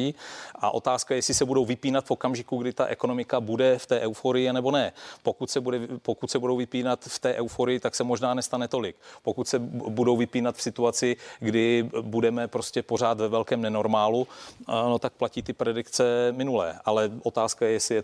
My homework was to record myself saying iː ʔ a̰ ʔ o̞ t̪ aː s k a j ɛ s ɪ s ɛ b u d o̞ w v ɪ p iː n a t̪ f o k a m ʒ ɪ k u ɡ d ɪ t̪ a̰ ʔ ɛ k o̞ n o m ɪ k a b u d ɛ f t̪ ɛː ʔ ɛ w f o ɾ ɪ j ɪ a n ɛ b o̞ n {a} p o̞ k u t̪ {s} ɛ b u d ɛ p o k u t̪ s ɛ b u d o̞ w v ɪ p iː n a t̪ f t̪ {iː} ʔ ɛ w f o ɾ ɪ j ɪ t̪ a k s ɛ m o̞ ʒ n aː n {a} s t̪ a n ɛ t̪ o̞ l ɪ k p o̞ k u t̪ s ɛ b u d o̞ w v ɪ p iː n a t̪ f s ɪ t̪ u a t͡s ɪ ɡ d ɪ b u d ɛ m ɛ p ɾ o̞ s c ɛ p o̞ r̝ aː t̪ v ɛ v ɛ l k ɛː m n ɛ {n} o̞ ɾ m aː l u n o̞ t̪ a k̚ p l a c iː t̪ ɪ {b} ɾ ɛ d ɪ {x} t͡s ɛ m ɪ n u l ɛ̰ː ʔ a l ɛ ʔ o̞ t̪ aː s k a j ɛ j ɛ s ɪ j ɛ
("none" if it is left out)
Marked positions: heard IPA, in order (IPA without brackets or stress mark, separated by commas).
ɛ, s, ɛː, ɛ, n, p, k